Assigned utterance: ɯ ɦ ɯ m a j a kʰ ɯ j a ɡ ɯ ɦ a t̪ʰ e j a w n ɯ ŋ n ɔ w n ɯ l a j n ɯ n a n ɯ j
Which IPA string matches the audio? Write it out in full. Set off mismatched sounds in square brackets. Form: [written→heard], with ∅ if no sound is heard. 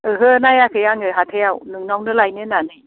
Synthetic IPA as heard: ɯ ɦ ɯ [m→n] a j a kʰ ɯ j a [ɡ→ŋ] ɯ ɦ a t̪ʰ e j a w n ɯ ŋ n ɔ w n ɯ l a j n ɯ n a n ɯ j